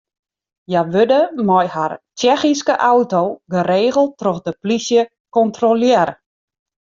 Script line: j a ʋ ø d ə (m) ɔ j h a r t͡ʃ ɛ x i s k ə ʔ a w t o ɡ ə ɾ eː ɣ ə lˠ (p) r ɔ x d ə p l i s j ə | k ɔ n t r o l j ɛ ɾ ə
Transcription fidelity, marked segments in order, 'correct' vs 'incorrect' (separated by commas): correct, incorrect